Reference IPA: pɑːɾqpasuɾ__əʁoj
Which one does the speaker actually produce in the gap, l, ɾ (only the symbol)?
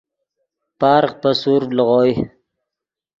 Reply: l